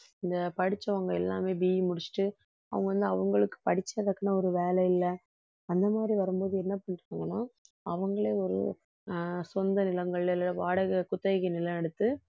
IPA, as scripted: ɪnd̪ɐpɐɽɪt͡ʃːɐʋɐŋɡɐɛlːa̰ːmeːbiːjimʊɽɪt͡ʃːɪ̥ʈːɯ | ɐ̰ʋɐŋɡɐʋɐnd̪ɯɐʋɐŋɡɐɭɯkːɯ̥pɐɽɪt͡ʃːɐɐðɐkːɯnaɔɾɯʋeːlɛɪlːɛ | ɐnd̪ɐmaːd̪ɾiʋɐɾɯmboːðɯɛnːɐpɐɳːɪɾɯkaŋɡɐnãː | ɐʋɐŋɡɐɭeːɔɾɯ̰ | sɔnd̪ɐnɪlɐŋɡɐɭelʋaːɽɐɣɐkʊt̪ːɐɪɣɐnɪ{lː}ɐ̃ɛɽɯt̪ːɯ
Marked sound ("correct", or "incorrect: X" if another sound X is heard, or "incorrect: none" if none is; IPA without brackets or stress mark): incorrect: l